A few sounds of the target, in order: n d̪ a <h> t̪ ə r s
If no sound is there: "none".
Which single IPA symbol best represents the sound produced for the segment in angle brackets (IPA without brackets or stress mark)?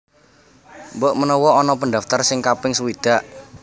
f